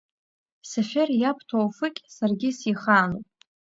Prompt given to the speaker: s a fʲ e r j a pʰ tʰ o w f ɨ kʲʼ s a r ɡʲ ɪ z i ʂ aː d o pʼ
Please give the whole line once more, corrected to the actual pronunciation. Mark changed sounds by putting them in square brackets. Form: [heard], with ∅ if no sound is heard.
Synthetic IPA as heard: s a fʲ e r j a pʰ tʰ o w f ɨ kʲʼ s a r ɡʲ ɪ [s] i [χ] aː [n] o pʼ